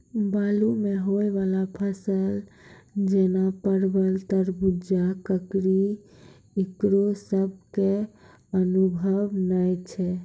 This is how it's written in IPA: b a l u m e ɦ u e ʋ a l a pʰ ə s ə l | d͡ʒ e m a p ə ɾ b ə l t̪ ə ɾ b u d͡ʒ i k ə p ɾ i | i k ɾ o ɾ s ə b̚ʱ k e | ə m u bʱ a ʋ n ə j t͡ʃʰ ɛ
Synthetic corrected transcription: b a l u m e ɦ o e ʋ a l a pʰ ə s ə l | d͡ʒ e n a p ə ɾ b ə l t̪ ə ɾ b u d͡ʒ a k ə k ɾ i | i k ɾ o s ə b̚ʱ k e | ə n u bʱ ə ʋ n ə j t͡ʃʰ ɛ